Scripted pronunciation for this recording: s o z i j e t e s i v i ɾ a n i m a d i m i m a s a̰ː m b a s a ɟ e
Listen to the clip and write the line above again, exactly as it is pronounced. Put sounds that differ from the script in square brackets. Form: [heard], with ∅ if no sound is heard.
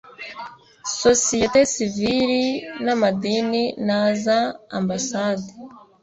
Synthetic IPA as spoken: s o [s] i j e t e s i v i ɾ [i] n [a] m a d i [n] i [n] a [z] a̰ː m b a s a [d] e